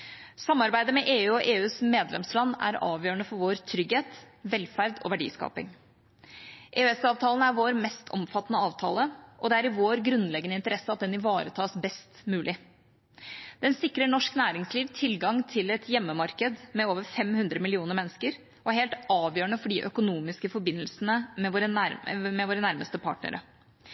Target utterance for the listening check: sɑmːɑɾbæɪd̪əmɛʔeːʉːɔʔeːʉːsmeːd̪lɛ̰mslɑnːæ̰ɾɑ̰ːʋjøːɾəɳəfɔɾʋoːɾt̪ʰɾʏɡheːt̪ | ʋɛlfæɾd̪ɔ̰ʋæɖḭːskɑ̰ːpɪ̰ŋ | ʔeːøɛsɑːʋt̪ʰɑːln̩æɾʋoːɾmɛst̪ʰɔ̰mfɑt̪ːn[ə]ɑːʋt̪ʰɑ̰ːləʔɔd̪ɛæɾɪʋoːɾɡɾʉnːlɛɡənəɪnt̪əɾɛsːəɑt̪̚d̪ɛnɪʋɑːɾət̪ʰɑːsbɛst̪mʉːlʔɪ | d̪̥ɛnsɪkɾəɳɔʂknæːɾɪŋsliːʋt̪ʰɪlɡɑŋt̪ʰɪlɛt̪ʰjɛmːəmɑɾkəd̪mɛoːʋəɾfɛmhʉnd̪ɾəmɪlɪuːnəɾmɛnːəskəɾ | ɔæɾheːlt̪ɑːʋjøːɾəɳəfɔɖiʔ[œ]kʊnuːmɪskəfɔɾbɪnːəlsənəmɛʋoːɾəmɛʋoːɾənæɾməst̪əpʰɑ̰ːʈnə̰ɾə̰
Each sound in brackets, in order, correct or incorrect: correct, correct

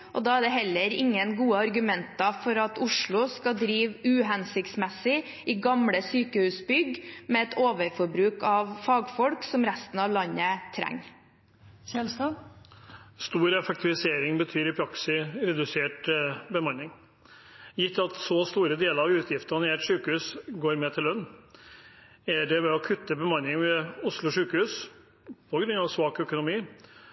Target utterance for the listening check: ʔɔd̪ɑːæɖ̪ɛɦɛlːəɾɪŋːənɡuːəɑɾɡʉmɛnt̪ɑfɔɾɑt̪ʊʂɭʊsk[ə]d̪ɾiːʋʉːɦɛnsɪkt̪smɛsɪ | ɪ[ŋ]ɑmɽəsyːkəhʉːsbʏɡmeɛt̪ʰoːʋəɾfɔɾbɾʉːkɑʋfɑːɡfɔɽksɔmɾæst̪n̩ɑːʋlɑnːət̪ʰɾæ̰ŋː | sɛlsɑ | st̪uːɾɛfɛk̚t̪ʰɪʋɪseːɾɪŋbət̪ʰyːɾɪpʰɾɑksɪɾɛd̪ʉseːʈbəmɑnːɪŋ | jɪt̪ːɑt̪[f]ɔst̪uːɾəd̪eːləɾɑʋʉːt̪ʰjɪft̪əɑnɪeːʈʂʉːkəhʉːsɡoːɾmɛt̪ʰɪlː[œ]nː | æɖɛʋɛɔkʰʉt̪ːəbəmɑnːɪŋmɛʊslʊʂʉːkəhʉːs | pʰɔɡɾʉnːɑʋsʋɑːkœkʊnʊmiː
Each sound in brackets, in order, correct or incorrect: incorrect, incorrect, incorrect, correct

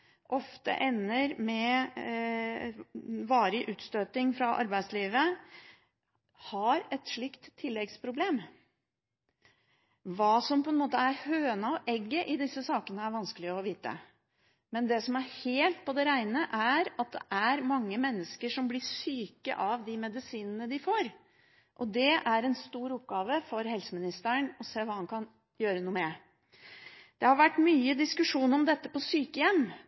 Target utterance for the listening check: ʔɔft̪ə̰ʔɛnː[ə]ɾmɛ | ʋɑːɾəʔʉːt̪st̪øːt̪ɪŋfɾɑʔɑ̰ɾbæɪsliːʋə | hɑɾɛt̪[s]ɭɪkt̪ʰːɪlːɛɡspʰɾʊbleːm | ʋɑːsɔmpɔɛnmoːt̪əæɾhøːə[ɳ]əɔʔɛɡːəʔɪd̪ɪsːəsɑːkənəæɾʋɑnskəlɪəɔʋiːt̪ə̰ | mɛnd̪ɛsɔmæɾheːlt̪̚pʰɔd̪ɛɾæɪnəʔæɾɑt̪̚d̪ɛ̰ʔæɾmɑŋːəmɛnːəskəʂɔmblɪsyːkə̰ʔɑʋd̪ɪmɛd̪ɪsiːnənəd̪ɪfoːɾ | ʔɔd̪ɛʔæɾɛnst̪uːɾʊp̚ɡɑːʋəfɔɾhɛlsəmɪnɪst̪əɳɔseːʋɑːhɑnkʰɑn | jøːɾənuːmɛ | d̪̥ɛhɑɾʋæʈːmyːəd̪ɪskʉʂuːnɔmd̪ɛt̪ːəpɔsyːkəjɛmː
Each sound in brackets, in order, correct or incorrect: correct, incorrect, incorrect

